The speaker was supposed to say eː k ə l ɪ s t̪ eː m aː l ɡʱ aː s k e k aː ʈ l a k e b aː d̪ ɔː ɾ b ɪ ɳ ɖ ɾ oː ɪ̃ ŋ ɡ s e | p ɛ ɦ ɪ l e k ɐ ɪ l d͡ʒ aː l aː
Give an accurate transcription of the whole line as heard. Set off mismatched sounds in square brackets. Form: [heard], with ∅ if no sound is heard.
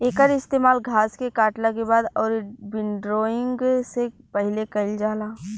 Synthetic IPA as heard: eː k ə [ɾ] ɪ s t̪ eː m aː l ɡʱ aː s k e k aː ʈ l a k e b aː d̪ ɔː ɾ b ɪ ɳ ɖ ɾ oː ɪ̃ ŋ ɡ s e | p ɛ ɦ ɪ l e k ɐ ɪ l d͡ʒ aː l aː